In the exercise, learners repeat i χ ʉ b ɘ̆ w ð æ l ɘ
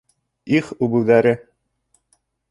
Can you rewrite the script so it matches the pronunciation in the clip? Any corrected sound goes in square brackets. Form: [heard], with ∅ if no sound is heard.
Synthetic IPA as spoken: i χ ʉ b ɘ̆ w ð æ [ɾ] ɘ